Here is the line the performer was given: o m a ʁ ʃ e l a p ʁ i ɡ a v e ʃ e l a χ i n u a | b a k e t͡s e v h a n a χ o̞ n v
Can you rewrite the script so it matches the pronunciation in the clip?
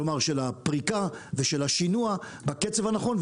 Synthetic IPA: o m a ʁ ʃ e l a p ʁ i k a v e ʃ e l a ʃ i n u a | b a k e t͡s e v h a n a χ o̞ n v